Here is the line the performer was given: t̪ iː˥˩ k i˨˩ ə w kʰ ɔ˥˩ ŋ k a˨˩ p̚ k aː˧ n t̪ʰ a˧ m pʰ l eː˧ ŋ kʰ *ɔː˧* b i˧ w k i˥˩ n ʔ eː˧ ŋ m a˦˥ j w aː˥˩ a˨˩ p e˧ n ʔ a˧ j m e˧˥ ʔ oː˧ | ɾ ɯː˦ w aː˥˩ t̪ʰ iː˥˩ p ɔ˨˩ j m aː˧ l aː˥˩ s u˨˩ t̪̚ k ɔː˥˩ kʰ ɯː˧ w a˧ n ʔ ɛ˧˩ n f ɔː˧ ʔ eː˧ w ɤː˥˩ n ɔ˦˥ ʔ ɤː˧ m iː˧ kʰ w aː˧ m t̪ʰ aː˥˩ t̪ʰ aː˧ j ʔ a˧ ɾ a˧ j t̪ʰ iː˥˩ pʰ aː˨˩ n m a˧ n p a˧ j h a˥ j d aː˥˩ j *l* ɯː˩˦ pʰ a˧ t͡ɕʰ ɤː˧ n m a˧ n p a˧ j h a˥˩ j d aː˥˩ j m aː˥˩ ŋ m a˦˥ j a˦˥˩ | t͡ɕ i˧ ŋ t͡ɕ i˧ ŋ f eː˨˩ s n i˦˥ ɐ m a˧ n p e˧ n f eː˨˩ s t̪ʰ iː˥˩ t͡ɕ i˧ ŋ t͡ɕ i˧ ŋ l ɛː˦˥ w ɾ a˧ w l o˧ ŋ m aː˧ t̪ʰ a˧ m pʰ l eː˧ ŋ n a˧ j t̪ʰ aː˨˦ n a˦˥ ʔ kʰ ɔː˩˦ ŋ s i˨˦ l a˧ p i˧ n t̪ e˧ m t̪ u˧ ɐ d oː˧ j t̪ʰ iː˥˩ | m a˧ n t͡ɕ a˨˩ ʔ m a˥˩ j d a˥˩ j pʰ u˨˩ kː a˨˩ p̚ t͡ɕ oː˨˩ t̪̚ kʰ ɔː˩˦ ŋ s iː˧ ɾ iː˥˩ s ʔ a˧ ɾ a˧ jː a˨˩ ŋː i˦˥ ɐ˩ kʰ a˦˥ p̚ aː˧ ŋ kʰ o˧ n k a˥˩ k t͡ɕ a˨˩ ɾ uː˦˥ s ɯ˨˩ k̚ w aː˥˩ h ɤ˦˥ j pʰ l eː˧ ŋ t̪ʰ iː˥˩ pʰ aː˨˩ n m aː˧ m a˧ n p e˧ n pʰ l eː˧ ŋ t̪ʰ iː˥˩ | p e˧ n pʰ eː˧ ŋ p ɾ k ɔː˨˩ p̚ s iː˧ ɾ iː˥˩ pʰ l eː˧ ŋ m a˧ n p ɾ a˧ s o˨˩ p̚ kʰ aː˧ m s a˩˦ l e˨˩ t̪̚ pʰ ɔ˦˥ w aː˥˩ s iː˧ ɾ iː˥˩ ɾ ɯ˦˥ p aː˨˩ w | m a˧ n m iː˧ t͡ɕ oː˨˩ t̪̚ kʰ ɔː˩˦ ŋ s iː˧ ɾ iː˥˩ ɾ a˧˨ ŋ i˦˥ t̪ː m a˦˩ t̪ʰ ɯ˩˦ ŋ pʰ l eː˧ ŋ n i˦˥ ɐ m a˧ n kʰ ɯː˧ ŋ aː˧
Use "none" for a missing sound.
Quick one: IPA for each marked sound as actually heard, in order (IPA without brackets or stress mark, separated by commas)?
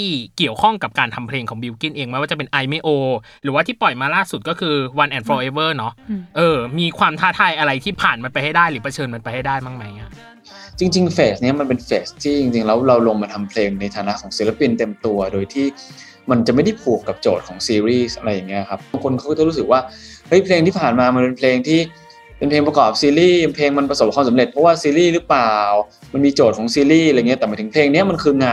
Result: ɔː˩˦, ɾ